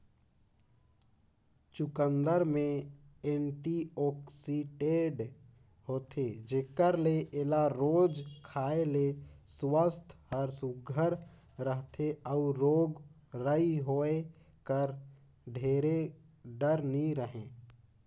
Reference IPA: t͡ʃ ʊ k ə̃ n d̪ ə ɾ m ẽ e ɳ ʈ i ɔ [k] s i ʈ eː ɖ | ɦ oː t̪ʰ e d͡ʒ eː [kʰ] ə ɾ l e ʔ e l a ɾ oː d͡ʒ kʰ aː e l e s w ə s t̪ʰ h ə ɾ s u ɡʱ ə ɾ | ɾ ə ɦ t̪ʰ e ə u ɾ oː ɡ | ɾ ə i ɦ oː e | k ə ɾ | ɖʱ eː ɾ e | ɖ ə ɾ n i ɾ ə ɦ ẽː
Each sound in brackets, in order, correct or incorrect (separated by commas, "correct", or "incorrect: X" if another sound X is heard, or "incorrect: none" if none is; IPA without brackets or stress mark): correct, incorrect: k